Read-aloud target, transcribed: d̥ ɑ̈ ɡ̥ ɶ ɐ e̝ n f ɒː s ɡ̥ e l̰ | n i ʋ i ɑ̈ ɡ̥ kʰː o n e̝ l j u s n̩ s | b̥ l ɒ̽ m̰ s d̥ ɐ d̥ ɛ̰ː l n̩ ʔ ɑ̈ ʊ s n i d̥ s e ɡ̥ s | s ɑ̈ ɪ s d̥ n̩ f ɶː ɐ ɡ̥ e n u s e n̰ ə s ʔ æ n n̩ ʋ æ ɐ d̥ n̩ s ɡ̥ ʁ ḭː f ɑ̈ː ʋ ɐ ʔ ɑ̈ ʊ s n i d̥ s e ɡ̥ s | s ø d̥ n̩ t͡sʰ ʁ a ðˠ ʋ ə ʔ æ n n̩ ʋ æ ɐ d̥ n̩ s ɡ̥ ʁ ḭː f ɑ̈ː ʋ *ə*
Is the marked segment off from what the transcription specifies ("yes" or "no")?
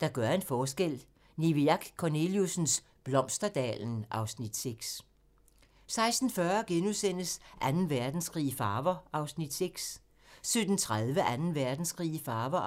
yes